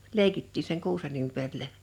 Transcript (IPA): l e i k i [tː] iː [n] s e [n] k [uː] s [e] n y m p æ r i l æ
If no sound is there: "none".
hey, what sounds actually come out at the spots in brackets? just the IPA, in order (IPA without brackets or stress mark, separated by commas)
tː, none, ŋ, uː, e